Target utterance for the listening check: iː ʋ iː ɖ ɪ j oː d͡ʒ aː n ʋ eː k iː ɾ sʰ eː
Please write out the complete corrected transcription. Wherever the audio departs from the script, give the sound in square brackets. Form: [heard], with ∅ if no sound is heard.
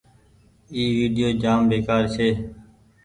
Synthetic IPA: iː ʋ iː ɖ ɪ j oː d͡ʒ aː [m] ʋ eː k [aː] ɾ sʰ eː